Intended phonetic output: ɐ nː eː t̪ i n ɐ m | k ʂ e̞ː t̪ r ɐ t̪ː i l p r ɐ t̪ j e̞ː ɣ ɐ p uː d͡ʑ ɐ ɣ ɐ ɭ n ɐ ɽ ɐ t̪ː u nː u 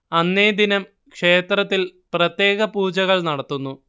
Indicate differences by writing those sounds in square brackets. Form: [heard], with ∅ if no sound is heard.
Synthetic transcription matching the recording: ɐ nː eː [d̪] i n ɐ m | k ʂ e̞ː t̪ r ɐ t̪ː i l p r ɐ t̪ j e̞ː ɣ ɐ p uː d͡ʑ ɐ ɣ ɐ ɭ n ɐ ɽ ɐ t̪ː u nː u